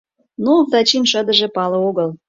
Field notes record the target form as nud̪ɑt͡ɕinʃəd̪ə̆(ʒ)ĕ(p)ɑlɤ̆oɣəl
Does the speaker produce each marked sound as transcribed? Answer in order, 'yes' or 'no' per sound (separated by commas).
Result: yes, yes